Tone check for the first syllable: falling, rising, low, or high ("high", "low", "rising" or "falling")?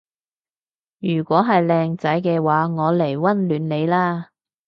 low